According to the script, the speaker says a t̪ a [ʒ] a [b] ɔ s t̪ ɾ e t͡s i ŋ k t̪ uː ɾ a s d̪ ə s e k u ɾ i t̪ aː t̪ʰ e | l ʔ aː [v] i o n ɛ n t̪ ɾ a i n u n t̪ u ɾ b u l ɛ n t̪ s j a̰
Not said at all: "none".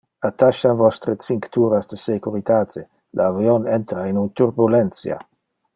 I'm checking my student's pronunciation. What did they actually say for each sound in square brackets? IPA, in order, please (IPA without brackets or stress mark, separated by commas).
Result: ʃ, v, v